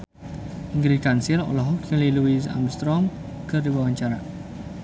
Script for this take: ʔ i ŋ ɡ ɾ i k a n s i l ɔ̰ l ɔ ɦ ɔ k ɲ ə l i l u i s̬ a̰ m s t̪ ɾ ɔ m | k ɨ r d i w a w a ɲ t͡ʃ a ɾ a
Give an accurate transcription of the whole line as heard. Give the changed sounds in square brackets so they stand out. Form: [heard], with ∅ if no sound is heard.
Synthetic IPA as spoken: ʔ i ŋ ɡ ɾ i k a n s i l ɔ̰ l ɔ ɦ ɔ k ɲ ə l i l u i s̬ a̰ m s t̪ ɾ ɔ m | k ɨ r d i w a w a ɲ t͡ʃ a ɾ a